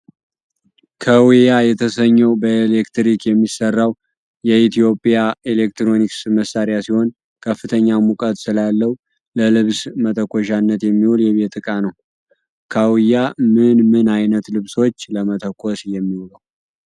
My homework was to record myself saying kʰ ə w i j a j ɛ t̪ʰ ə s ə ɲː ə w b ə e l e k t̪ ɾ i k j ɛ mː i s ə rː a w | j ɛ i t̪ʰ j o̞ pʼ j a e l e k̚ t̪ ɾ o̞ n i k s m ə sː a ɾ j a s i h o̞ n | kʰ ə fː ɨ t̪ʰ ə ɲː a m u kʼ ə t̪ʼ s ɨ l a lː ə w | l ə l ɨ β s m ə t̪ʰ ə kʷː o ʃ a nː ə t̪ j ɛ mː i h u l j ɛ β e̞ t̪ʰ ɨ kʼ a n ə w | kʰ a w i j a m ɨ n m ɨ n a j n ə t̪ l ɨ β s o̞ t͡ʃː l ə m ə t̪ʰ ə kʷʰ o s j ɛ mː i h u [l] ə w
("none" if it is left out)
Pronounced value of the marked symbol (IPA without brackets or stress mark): l